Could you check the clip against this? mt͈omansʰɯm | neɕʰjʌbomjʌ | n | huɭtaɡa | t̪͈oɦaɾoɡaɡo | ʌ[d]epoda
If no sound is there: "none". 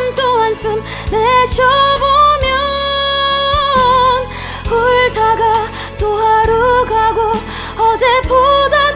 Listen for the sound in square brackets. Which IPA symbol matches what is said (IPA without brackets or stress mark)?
d͡ʑ